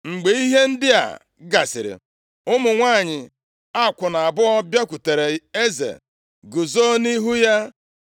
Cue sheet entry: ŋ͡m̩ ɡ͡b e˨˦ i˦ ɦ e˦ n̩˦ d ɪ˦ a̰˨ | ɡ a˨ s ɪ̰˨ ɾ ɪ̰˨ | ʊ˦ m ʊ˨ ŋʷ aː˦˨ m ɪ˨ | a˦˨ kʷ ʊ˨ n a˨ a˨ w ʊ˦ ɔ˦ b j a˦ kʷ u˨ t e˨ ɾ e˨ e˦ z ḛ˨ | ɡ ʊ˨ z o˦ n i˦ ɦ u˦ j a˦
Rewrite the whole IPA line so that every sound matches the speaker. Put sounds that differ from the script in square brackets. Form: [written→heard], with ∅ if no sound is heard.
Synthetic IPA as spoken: ŋ͡m̩ ɡ͡b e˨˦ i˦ ɦ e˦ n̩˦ d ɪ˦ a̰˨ | ɡ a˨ s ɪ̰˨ ɾ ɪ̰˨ | ʊ˦ m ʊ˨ ŋʷ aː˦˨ [m→ɲ] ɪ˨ | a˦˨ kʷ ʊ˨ n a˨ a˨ [w→b] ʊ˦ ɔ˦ b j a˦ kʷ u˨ t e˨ ɾ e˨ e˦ z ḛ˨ | ɡ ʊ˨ z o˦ n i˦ ɦ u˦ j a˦